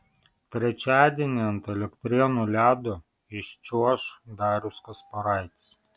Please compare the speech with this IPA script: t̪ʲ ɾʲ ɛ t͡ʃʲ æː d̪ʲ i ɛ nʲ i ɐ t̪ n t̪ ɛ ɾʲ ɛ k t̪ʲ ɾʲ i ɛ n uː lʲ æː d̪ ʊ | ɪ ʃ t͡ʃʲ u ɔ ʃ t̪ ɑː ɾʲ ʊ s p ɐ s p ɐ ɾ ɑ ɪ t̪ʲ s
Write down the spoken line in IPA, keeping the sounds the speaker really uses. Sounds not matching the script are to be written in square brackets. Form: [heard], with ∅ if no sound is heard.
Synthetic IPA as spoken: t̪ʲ ɾʲ ɛ t͡ʃʲ æː d̪ʲ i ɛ nʲ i ɐ [∅] n t̪ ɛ [lʲ] ɛ k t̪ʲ ɾʲ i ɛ n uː lʲ æː d̪ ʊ | ɪ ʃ t͡ʃʲ u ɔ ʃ [d̪] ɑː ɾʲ ʊ s [k] ɐ s p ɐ ɾ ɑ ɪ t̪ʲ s